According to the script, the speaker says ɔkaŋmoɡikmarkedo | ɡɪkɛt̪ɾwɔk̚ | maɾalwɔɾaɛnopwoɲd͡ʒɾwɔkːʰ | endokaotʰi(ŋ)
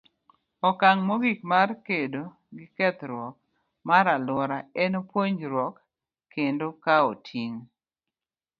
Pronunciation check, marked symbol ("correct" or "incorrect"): correct